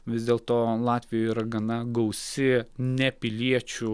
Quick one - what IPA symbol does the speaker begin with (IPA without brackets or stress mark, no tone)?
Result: ʋʲ